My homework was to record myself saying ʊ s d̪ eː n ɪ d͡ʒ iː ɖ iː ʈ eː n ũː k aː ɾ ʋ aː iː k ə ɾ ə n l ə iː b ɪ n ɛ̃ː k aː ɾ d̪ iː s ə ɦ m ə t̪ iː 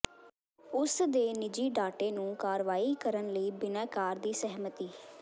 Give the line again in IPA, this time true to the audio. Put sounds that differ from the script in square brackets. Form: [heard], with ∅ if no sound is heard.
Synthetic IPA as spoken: ʊ s d̪ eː n ɪ d͡ʒ iː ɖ [aː] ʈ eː n ũː k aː ɾ ʋ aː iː k ə ɾ ə n l ə iː b ɪ n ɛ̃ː k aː ɾ d̪ iː s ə ɦ m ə t̪ iː